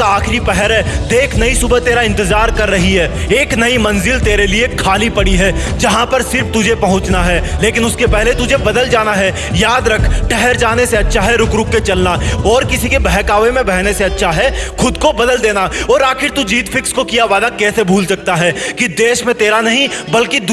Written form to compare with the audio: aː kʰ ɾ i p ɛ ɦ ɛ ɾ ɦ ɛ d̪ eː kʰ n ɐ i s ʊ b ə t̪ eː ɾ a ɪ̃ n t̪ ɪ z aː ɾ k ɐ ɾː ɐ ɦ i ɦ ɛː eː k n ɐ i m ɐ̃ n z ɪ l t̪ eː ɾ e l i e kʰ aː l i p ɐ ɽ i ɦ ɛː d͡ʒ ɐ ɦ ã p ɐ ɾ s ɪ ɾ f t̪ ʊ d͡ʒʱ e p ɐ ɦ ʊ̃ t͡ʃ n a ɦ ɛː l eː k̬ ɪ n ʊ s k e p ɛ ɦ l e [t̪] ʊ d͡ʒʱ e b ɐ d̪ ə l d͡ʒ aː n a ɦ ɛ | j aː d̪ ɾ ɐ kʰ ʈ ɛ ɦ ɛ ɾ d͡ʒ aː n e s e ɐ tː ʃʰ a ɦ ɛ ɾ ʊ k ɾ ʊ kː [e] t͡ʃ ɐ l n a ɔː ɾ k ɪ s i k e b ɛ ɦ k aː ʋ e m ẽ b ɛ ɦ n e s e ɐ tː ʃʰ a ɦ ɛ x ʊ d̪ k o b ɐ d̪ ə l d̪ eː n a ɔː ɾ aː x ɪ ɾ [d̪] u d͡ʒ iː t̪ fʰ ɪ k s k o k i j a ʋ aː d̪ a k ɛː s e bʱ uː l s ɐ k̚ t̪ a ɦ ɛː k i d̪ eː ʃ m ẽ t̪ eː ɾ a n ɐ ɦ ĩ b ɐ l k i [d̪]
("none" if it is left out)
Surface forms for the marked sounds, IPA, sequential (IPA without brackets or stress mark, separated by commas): t̪, e, t̪, d̪